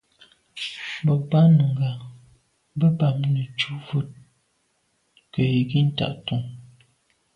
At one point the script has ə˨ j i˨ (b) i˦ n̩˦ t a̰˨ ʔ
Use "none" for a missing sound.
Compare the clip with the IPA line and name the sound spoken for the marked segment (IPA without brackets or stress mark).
ɡ